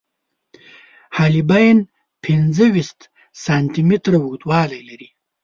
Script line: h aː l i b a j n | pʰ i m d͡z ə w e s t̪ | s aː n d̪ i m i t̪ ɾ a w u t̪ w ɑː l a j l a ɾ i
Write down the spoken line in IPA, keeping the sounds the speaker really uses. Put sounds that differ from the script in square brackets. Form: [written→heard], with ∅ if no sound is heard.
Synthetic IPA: h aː l i b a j n | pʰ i [m→n] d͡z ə w [e→i] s t̪ | s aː n [d̪→t̪] i m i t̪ ɾ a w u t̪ w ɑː l a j l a ɾ i